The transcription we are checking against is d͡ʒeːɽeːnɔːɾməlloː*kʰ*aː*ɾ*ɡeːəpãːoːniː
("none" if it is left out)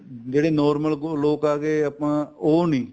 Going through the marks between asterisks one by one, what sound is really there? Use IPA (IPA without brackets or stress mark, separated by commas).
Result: k, none